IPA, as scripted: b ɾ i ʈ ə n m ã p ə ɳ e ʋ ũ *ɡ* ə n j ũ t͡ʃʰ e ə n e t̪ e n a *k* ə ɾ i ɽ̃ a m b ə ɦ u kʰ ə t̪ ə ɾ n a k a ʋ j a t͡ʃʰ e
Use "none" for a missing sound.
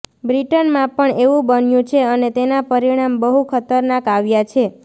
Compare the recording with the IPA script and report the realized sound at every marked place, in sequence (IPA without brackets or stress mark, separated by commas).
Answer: b, p